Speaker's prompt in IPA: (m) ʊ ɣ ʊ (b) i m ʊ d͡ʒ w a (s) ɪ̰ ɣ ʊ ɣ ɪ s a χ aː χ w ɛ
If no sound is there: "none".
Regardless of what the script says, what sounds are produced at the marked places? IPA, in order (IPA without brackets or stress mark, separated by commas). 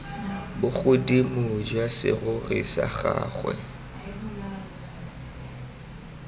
b, d, s